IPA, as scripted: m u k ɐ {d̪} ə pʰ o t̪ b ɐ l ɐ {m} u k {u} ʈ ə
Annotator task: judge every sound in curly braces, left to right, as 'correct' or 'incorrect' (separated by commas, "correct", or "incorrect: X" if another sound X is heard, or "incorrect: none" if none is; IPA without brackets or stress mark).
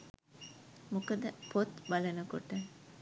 correct, incorrect: n, incorrect: o